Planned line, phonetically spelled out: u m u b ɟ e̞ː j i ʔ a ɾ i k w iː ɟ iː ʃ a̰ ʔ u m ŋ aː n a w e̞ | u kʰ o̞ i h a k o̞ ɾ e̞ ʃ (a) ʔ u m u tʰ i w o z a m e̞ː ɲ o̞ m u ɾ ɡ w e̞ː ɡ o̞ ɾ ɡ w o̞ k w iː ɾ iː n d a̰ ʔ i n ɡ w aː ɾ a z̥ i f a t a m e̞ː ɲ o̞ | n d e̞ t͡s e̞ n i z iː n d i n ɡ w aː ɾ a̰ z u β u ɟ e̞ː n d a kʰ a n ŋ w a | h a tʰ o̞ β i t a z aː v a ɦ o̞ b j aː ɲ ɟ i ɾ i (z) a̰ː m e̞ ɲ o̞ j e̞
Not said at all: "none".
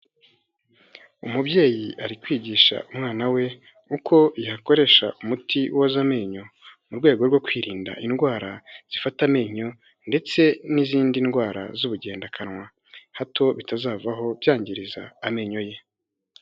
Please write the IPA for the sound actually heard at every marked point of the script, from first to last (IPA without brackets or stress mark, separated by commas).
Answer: a, z